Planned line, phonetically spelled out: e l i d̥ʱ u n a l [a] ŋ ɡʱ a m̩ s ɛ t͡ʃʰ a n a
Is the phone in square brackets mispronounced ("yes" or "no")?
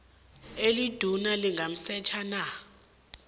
yes